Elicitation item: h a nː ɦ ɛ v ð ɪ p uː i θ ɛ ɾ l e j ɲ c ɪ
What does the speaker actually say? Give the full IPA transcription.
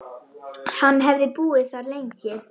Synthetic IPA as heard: h a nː ɦ ɛ v ð ɪ p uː ɪ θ a ɾ l e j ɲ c ɪ

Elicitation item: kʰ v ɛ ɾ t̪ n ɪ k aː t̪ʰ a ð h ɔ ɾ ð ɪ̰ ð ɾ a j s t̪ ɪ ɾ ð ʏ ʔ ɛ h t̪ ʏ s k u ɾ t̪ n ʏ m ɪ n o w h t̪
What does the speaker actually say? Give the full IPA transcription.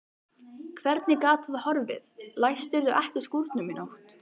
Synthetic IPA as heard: kʰ v ɛ ɾ t̪ n ɪ k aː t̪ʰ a ð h ɔ ɾ v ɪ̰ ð l a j s t̪ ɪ ɾ ð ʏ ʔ ɛ h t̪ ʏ s k u ɾ t̪ n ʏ m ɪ n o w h t̪

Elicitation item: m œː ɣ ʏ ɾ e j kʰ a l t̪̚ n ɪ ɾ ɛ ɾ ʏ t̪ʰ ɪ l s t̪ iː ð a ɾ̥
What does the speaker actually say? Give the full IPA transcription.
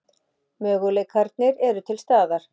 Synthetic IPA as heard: m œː ɣ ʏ l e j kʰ a ɾ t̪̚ n ɪ ɾ ɛ ɾ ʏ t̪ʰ ɪ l s t̪ aː ð a ɾ̥

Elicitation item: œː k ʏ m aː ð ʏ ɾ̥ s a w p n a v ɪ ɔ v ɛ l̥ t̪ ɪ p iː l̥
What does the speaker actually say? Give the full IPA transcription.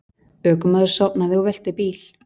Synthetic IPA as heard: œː k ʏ m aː ð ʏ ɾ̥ s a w p n a ð ɪ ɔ v ɛ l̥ t̪ ɪ p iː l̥

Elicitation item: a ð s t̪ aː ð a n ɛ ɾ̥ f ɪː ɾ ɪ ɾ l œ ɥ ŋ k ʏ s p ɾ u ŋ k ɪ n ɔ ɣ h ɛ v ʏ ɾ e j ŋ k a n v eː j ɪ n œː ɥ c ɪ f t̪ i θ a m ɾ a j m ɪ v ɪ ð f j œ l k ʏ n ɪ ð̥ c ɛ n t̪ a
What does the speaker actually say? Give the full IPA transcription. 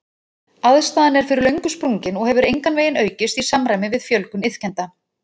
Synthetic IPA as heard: a ð s t̪ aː ð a n ɛ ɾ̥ f ɪ ɾ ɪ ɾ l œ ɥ ŋ k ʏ s p ɾ u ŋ c ɪ n ɔ ɣ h ɛ v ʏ ɾ e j ŋ k a n v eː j ɪ n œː ɥ c ɪ s t̪ i s a m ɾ a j m ɪ v ɪ ð f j œ l k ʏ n ɪ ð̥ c ɛ n t̪ a

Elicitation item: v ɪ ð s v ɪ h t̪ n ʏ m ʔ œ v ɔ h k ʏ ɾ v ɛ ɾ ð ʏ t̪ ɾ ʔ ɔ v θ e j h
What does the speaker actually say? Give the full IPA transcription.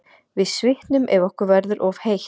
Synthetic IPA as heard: v ɪ ð s v ɪ h t̪ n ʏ m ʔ ɛ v ɔ h k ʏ ɾ v ɛ ɾ ð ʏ ɾ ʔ ɔ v h e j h

